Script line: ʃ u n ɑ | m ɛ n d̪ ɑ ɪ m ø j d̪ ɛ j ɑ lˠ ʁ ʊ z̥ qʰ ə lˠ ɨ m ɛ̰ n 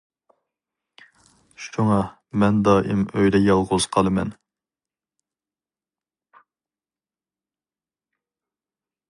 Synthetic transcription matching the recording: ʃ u ŋ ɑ | m ɛ n d̪ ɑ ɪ m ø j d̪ ɛ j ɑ lˠ ʁ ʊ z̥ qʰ ɑ lˠ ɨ m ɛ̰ n

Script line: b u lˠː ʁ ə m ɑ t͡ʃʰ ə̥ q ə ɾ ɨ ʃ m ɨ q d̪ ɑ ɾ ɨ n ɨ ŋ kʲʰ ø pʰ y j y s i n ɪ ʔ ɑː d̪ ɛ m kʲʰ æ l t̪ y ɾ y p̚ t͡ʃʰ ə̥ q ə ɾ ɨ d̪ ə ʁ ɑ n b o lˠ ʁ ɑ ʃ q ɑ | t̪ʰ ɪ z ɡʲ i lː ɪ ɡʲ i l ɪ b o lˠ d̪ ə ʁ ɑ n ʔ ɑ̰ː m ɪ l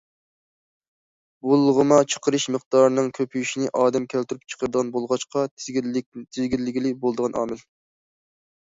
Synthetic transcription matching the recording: b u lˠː ʁ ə m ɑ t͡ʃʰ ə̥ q ə ɾ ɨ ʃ m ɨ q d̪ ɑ ɾ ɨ n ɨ ŋ kʲʰ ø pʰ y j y ʃ i n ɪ ʔ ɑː d̪ ɛ m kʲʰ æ l t̪ y ɾ y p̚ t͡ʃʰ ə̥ q ə ɾ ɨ d̪ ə ʁ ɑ n b o lˠ ʁ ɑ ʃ q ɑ | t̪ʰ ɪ z ɡʲ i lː ɪ ɡʲ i l ɪ b o lˠ d̪ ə ʁ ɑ n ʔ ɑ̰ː m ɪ l

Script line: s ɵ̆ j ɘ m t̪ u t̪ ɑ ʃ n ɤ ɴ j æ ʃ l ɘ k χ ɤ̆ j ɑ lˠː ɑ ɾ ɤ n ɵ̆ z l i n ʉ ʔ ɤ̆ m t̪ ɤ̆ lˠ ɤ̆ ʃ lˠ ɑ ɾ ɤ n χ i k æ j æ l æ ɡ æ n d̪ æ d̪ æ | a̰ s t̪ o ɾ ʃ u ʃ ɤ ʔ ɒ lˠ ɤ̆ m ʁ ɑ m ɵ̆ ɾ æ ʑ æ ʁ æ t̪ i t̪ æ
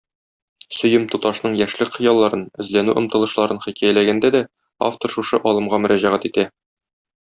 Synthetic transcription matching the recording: s ɵ̆ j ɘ m t̪ u t̪ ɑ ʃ n ɤ ɴ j æ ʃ l ɘ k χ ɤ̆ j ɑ lˠː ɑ ɾ ɤ n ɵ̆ z l æ n ʉ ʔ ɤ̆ m t̪ ɤ̆ lˠ ɤ̆ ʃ lˠ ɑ ɾ ɤ n χ i k æ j æ l æ ɡ æ n d̪ æ d̪ æ | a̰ f t̪ o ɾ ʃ u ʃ ɤ ʔ ɒ lˠ ɤ̆ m ʁ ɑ m ɵ̆ ɾ æ ʑ æ ʁ æ t̪ i t̪ æ

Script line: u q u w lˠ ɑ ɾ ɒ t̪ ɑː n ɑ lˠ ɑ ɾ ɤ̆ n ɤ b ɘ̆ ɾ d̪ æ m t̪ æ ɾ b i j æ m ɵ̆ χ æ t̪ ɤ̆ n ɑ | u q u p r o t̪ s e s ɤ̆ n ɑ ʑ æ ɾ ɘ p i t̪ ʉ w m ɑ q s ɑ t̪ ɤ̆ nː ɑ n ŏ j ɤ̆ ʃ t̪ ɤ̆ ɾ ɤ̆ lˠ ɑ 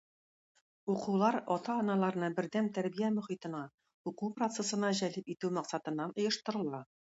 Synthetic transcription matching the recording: u q u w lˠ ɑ ɾ ɒ t̪ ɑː n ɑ lˠ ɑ ɾ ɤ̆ n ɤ b ɘ̆ ɾ d̪ æ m t̪ æ ɾ b i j æ m ɵ̆ χ i t̪ ɤ̆ n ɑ | u q u p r o t̪ s e s ɤ̆ n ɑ ʑ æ l ɘ p i t̪ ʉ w m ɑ q s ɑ t̪ ɤ̆ nː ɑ n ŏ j ɤ̆ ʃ t̪ ɤ̆ ɾ ɤ̆ lˠ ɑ

